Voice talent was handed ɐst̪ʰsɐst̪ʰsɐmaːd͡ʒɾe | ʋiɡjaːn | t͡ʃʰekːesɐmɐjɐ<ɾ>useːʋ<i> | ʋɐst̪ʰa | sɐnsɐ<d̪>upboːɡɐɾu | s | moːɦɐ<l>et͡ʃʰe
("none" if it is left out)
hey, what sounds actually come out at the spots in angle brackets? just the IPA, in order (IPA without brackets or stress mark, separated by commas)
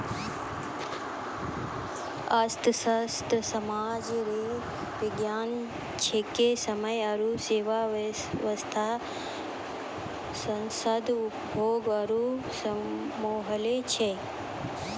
ɾ, a, d̪, l